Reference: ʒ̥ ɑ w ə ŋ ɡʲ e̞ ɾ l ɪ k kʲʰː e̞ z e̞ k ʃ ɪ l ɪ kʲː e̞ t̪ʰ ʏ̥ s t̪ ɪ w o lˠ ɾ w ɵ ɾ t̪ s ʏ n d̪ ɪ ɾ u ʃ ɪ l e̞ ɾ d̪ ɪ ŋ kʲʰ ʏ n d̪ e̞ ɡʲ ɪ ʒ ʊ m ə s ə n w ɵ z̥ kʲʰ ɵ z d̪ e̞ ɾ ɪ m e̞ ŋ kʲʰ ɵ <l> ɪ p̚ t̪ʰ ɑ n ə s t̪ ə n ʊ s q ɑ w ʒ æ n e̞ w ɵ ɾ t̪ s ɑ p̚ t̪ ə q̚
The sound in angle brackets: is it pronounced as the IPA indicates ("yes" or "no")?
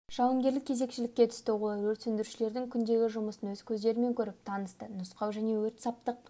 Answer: no